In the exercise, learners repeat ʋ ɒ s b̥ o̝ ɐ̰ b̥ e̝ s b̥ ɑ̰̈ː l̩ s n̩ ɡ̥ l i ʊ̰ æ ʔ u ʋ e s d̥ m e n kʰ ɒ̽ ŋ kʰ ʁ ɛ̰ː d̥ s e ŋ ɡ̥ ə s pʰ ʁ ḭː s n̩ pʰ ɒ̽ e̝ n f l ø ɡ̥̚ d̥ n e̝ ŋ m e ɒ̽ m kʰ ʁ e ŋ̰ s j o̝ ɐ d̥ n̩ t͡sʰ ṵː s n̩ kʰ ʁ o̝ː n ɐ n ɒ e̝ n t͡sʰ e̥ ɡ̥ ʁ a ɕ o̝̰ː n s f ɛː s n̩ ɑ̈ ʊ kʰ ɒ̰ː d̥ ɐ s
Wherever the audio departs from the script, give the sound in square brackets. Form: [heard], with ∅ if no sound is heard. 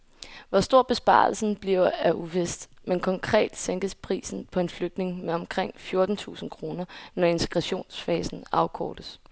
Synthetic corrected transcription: ʋ ɒ s [d̥] o̝ ɐ̰ b̥ e̝ s b̥ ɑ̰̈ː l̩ s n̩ [b̥] l i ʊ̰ æ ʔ u ʋ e s d̥ m e n kʰ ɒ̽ ŋ kʰ ʁ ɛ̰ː d̥ s e ŋ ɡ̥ ə s pʰ ʁ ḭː s n̩ pʰ ɒ̽ e̝ n f l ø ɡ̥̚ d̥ n e̝ ŋ m e ɒ̽ m kʰ ʁ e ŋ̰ [f] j o̝ ɐ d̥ n̩ t͡sʰ ṵː s n̩ kʰ ʁ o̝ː n ɐ n ɒ e̝ n t͡sʰ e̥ ɡ̥ ʁ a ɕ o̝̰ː n s f ɛː s n̩ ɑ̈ ʊ kʰ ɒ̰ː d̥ [ə] s